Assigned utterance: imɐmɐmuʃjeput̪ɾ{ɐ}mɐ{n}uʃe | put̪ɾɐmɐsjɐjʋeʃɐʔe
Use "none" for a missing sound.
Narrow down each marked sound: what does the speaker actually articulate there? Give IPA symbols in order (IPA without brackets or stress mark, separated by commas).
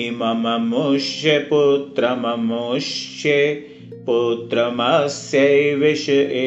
ɐ, m